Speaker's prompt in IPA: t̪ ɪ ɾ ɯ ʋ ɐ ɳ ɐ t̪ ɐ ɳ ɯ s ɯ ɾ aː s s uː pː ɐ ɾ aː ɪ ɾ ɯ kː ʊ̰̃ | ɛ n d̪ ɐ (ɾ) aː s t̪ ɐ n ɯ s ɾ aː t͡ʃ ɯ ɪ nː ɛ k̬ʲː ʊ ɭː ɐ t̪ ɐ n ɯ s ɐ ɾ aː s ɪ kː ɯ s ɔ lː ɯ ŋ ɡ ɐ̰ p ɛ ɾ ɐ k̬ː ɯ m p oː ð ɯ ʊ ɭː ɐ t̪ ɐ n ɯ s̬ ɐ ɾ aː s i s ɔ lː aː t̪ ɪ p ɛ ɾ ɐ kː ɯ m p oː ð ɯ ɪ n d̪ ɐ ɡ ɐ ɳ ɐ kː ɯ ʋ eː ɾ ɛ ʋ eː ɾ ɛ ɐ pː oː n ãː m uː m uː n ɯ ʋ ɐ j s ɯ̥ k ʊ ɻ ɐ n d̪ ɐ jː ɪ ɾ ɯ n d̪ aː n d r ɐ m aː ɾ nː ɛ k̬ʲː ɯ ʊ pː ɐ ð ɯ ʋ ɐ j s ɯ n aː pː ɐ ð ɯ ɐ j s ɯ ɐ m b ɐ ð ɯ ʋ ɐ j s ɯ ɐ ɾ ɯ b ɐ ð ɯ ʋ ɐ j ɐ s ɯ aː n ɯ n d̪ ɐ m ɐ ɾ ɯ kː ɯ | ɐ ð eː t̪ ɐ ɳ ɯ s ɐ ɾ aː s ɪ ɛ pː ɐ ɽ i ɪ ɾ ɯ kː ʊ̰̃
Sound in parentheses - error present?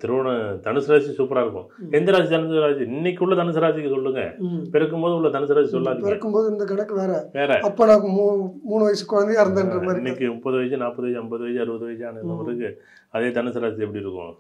no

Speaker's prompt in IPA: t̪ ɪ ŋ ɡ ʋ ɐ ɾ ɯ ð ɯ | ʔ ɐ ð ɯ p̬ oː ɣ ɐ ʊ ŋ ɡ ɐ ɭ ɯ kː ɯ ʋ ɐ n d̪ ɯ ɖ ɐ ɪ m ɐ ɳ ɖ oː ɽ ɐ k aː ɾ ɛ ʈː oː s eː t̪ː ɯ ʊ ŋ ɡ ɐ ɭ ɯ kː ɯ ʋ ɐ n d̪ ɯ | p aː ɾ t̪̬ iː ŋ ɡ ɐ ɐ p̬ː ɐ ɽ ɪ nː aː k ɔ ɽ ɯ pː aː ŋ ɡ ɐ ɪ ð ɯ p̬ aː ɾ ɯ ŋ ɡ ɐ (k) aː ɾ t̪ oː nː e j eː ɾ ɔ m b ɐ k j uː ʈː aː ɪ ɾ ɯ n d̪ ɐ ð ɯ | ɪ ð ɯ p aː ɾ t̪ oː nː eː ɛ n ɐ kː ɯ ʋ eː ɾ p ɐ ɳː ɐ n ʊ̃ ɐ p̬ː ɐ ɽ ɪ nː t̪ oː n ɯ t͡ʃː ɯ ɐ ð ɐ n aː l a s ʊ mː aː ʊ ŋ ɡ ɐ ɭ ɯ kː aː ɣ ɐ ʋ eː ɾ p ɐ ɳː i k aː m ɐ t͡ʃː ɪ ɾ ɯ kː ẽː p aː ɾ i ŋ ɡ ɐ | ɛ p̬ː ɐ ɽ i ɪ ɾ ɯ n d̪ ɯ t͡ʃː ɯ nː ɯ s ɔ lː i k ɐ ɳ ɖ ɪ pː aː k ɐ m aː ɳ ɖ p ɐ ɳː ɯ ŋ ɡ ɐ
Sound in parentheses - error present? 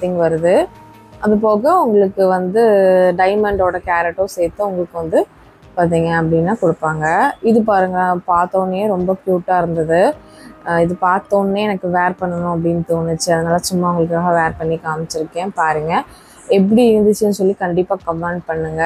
yes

